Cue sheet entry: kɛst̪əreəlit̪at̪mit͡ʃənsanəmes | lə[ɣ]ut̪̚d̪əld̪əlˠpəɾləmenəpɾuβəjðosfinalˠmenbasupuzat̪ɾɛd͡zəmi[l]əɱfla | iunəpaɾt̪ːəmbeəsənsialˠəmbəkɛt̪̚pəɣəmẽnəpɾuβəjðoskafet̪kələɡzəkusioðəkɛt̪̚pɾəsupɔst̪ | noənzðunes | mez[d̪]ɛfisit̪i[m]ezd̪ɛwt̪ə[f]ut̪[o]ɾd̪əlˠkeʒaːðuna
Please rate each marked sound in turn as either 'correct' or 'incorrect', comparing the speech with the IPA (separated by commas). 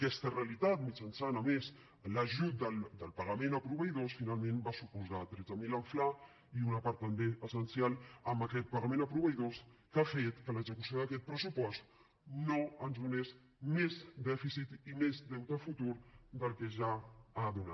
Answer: incorrect, correct, correct, correct, correct, incorrect